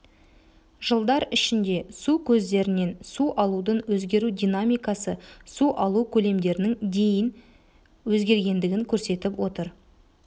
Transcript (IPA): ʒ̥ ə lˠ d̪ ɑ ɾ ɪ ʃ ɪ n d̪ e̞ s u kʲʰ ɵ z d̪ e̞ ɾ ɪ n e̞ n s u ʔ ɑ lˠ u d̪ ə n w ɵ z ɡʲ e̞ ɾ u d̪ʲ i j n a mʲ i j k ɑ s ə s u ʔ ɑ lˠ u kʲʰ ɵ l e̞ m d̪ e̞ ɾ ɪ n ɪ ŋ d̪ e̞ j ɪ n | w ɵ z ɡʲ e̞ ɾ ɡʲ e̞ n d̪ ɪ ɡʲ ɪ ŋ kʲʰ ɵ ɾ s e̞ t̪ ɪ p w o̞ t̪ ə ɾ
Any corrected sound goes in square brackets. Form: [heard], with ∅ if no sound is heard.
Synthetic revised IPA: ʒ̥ ə lˠ d̪ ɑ ɾ ɪ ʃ ɪ n d̪ e̞ s u kʲʰ ɵ z d̪ e̞ ɾ ɪ n e̞ n s u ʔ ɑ lˠ u d̪ ə n w ɵ z ɡʲ e̞ ɾ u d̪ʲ i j n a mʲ i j k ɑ s ə s u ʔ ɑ lˠ u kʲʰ ɵ l e̞ m d̪ e̞ ɾ ɪ n ɪ ŋ d̪ e̞ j ɪ n | w ɵ z ɡʲ e̞ ɾ ɡʲ e̞ n d̪ ɪ ɡʲ ɪ ŋ kʲʰ ɵ ɾ s e̞ t̪ ɪ p w o̞ t̪ ə ɾ